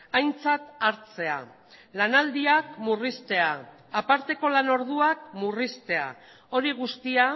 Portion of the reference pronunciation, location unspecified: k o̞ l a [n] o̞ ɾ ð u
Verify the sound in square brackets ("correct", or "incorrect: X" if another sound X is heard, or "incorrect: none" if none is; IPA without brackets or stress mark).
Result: correct